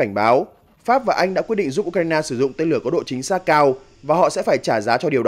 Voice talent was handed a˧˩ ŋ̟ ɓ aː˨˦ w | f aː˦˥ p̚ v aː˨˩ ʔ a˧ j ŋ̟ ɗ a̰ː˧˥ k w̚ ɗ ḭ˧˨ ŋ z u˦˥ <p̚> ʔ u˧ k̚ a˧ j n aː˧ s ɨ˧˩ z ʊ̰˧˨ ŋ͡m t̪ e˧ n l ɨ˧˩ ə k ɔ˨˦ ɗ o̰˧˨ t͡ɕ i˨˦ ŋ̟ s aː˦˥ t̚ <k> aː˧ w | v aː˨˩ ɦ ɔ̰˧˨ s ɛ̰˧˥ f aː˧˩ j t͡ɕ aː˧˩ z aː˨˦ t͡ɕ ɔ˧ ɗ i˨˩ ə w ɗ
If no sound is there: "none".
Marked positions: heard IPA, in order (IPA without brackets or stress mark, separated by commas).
p̚, k